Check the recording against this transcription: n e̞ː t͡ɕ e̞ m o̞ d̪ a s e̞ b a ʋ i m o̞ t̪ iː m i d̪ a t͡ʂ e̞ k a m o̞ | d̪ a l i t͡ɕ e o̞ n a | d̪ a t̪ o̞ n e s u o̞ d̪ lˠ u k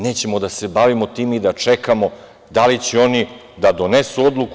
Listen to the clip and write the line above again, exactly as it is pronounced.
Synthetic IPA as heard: n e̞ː t͡ɕ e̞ m o̞ d̪ a s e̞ b a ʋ i m o̞ t̪ iː m i d̪ a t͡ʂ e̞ k a m o̞ | d̪ a l i t͡ɕ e o̞ n i | d̪ a d̪ o̞ n e s u o̞ d̪ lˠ u k